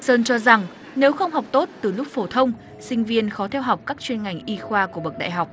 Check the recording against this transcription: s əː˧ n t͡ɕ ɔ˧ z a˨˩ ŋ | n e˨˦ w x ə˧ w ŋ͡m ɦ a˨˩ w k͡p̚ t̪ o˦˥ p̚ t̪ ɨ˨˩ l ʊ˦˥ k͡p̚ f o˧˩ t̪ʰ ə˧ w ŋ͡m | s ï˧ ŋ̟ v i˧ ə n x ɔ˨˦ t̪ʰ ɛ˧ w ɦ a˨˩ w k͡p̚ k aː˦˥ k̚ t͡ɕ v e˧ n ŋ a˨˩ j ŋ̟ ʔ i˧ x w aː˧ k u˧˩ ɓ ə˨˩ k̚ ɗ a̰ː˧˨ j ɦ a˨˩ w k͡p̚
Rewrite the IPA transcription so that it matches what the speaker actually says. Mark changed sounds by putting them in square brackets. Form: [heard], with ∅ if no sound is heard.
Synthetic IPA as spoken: s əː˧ n t͡ɕ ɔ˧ z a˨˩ ŋ | n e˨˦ w x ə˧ w ŋ͡m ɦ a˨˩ w k͡p̚ t̪ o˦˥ [t̚] t̪ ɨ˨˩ l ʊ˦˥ k͡p̚ f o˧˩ t̪ʰ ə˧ w ŋ͡m | s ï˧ ŋ̟ v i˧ ə n x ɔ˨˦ t̪ʰ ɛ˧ w ɦ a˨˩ w k͡p̚ k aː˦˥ k̚ t͡ɕ [w] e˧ n ŋ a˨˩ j ŋ̟ ʔ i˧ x w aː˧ k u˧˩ ɓ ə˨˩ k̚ ɗ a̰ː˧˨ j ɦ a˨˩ w k͡p̚